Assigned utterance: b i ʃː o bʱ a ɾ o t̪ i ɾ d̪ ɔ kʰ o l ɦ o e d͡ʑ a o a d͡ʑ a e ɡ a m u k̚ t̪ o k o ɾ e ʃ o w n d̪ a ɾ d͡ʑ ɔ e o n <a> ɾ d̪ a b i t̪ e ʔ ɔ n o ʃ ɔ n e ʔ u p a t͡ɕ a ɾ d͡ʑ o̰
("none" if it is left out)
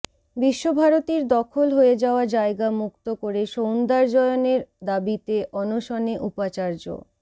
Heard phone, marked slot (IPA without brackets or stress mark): e